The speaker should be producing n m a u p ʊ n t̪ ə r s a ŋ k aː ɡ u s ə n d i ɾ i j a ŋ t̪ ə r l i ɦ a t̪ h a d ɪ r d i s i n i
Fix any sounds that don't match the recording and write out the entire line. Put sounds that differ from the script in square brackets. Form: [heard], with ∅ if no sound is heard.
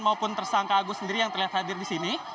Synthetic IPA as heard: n m a u p ʊ n t̪ ə r s a ŋ k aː ɡ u s ə n d i ɾ i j a ŋ t̪ ə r l i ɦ a t̪ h a d ɪ r d i s i n i